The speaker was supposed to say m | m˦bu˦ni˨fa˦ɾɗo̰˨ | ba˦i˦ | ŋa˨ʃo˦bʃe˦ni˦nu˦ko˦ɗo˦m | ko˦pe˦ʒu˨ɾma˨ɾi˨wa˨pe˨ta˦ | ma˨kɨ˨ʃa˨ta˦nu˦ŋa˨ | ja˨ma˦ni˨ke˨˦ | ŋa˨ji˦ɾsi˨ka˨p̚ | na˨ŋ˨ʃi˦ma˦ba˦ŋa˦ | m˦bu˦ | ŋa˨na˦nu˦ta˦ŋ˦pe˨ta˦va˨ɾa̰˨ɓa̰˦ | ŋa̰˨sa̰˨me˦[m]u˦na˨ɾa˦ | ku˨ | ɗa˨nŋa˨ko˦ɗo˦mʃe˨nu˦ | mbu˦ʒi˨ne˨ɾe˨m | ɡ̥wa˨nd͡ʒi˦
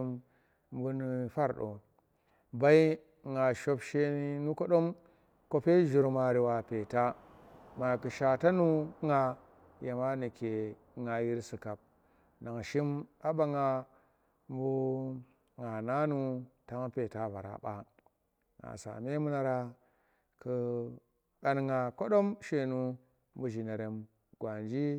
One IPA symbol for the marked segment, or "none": m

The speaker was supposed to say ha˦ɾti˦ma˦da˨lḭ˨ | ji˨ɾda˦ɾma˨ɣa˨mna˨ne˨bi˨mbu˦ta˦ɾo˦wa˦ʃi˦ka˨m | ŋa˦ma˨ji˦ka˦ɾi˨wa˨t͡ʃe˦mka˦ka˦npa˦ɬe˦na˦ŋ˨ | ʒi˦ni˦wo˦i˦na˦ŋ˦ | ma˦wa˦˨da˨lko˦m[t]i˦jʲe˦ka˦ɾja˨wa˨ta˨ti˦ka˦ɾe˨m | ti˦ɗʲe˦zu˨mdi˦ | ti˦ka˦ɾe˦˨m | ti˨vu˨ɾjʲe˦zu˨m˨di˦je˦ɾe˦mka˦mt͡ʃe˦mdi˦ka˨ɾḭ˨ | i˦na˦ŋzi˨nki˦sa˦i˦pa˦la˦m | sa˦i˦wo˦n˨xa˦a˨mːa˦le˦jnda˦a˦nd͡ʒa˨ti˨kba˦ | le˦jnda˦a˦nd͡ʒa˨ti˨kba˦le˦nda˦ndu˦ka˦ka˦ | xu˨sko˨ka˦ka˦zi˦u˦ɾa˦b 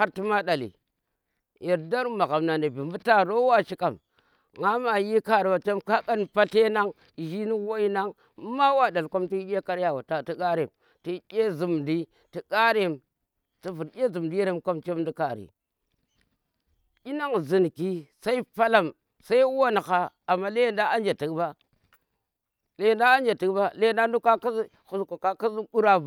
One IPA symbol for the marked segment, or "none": t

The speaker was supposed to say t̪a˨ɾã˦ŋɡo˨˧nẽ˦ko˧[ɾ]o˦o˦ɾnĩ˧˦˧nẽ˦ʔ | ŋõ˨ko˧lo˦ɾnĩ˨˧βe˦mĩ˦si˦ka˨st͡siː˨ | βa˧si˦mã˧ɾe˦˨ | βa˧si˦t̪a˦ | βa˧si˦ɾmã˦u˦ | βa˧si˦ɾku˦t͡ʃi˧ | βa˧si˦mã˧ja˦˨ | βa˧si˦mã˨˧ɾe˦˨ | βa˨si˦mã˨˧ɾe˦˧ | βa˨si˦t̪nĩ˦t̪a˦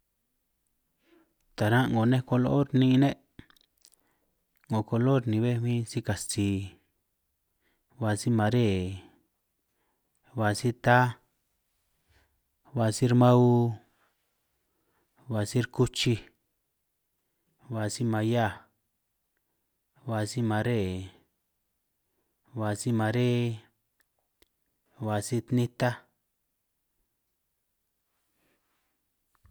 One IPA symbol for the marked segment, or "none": l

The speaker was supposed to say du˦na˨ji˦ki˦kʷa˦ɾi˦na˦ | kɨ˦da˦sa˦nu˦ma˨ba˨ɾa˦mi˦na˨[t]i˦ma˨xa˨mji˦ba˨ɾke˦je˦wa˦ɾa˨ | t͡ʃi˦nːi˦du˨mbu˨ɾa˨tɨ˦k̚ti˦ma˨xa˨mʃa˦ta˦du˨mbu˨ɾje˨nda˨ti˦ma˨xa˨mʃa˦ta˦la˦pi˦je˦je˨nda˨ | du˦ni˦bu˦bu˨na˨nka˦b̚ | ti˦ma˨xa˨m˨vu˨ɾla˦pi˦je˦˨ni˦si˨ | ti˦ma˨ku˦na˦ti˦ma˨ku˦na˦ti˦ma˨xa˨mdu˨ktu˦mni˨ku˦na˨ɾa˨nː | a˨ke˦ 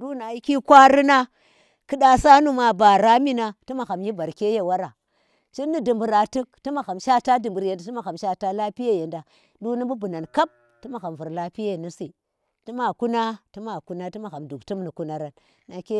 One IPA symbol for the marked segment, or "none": t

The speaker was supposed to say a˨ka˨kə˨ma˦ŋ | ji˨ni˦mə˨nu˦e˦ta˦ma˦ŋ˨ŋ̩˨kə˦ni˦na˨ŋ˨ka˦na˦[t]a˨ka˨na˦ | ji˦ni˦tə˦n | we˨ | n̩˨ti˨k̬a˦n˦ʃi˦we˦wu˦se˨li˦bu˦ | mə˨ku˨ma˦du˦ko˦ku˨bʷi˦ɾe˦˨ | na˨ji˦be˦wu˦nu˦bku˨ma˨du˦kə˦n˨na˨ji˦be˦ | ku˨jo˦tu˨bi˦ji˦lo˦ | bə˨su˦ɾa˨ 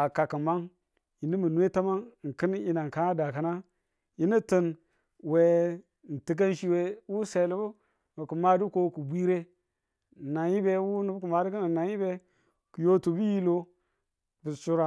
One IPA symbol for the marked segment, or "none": d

